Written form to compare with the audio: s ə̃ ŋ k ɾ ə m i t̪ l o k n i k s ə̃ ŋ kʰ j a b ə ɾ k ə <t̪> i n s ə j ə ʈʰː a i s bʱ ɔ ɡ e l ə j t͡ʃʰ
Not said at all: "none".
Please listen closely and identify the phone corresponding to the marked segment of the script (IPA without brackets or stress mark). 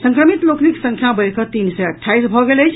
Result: t̪